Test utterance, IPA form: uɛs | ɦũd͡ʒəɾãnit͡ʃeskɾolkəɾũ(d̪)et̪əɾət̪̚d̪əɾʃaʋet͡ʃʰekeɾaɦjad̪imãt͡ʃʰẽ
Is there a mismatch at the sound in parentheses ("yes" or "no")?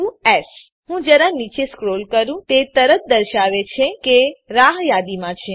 yes